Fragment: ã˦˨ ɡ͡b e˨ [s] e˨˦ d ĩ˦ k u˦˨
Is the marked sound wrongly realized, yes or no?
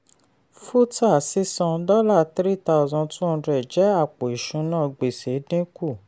no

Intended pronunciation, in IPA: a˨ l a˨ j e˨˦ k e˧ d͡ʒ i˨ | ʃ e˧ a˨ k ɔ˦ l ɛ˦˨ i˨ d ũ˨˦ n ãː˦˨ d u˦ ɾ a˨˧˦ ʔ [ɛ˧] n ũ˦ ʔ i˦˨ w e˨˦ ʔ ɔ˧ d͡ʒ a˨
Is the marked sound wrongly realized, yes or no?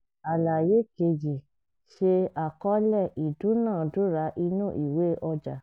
yes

